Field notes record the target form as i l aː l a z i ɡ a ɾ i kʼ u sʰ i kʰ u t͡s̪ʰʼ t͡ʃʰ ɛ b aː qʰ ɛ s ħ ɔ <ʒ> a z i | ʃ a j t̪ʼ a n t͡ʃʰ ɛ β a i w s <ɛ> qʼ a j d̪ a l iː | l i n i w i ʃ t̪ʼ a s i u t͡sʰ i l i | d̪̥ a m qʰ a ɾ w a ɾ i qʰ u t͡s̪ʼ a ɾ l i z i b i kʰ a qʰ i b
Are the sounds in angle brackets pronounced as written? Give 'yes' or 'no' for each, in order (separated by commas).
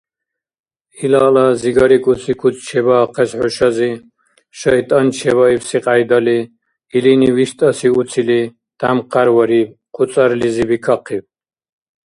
no, no